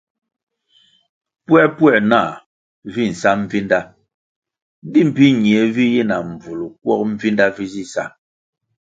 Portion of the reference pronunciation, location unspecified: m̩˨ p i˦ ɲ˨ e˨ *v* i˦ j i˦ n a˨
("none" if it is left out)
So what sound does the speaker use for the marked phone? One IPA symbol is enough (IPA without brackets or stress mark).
v